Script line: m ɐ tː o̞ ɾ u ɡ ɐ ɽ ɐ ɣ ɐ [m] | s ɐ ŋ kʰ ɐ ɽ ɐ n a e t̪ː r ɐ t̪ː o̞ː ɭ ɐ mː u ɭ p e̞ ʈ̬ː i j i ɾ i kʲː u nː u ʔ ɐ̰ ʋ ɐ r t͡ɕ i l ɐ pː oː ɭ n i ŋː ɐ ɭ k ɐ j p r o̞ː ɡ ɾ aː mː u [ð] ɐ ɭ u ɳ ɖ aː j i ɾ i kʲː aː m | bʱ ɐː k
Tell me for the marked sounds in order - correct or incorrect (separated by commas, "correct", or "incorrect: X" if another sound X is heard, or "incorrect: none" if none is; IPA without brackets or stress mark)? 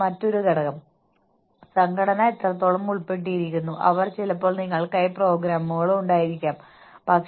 correct, incorrect: ɣ